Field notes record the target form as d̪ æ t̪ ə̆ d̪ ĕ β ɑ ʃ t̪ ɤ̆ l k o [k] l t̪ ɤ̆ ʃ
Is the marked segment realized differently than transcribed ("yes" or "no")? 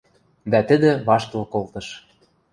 yes